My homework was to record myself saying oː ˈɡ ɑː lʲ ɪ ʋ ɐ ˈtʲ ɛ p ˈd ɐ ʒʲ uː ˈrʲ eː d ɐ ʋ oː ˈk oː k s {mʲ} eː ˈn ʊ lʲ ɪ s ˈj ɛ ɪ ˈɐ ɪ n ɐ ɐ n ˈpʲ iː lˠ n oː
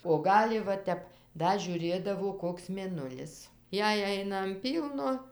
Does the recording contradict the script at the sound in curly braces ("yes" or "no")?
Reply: no